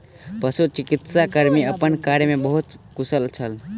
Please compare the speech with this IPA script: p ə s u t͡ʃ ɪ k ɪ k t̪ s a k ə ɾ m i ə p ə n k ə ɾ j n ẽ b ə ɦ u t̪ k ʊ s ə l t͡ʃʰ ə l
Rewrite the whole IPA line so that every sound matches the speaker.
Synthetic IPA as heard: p ə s u t͡ʃ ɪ k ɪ t̪ s a k ə ɾ m i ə p ə n k a ɾ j m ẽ b ə ɦ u t̪ k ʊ s ə l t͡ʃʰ ə l